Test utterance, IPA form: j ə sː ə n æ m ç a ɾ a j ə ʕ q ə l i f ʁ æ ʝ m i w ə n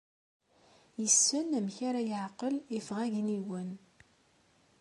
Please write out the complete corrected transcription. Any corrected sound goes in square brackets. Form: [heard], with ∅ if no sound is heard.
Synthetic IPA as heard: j ə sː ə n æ m ç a ɾ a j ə ʕ q ə l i f ʁ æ ʝ [n] i w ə n